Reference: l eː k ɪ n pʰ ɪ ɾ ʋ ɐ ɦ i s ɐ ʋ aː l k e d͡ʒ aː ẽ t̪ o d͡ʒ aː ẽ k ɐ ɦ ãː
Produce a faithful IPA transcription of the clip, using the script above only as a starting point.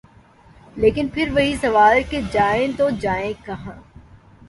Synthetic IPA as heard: l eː k ɪ n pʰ ɪ ɾ ʋ ɐ ɦ i s ɐ ʋ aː l k e d͡ʒ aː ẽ t̪ o d͡ʒ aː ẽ k ɐ ɦ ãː